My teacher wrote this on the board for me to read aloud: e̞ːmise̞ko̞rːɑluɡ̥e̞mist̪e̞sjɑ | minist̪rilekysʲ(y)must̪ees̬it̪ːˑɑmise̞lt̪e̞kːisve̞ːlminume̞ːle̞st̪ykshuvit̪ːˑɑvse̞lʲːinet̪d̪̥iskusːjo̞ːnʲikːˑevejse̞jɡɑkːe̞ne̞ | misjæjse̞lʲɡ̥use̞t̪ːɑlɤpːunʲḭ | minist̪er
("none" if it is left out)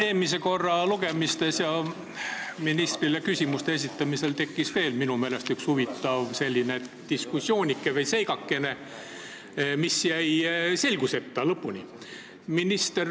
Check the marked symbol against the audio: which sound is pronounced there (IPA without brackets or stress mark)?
i